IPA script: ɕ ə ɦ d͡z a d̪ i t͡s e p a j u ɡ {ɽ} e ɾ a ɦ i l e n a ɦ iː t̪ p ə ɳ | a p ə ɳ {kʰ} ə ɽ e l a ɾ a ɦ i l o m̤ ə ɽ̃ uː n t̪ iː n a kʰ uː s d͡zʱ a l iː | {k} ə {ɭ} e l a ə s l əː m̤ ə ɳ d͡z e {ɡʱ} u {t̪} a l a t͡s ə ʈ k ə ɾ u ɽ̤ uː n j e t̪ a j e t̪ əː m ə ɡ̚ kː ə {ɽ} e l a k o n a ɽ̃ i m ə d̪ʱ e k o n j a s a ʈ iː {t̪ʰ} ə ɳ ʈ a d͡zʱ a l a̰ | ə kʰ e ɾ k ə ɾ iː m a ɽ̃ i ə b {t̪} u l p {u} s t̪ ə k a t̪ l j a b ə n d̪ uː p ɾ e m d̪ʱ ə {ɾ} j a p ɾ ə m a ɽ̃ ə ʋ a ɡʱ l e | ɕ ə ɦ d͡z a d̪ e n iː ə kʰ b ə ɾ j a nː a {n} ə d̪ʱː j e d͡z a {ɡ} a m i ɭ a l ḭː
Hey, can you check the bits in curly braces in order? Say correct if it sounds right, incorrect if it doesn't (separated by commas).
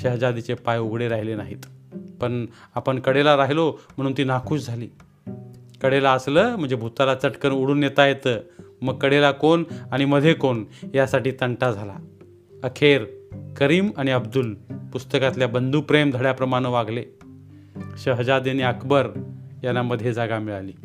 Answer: correct, incorrect, correct, incorrect, incorrect, correct, correct, incorrect, incorrect, correct, incorrect, incorrect, correct